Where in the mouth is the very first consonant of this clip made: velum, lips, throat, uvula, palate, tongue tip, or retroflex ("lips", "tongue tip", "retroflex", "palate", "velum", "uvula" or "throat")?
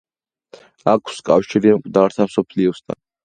velum